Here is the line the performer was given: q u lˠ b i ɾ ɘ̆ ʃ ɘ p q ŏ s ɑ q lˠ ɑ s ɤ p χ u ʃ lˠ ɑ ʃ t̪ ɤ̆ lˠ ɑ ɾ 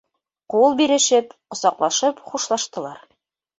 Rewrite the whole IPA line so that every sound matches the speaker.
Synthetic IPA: q u lˠ b i ɾ ɘ̆ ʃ ɘ p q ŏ s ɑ q lˠ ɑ ʃ ɤ p χ u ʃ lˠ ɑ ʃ t̪ ɤ̆ lˠ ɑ ɾ